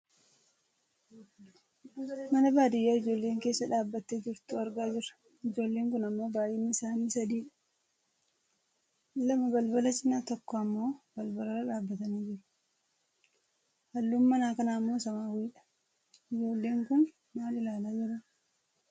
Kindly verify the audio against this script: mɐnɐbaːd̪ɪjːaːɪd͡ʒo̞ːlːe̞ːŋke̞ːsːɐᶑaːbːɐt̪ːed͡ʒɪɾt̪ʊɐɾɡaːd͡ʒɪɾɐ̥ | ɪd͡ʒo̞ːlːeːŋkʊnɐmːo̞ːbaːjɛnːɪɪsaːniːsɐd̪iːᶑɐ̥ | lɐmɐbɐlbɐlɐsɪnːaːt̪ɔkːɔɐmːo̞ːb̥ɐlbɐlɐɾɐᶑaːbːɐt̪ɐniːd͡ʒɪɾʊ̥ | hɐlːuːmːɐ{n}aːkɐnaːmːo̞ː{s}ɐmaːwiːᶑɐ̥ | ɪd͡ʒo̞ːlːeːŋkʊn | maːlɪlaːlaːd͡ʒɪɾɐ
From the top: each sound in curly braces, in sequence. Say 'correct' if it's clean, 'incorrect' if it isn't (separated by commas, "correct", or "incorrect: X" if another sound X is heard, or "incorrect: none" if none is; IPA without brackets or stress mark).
correct, correct